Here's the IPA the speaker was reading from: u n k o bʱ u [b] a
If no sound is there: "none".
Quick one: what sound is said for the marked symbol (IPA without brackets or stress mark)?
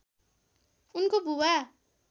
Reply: w